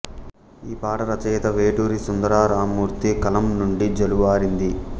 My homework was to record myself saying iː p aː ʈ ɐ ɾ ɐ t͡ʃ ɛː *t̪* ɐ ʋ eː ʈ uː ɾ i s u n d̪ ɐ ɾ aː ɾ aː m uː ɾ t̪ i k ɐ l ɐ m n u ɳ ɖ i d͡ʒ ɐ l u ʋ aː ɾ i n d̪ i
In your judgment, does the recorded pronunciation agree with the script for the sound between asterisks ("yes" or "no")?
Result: yes